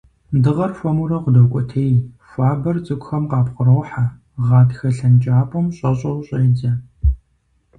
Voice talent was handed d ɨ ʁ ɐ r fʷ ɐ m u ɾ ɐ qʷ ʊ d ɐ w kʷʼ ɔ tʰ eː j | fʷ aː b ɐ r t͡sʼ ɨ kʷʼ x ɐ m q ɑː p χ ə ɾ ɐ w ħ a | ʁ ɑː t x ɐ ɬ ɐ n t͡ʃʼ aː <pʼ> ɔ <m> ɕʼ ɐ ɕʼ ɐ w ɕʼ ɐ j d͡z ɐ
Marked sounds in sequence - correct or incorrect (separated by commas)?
correct, correct